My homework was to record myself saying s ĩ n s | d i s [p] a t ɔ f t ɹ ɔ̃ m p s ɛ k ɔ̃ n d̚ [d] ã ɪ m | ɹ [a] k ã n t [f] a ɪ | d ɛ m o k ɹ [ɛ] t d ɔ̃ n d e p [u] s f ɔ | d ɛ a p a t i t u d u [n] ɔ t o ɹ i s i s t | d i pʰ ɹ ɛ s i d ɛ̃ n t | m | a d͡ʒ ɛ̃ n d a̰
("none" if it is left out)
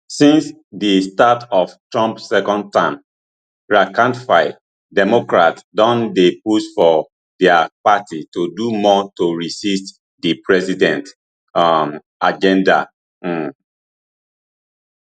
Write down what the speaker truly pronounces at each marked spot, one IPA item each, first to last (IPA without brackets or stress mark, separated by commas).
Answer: t, t, a, f, a, u, m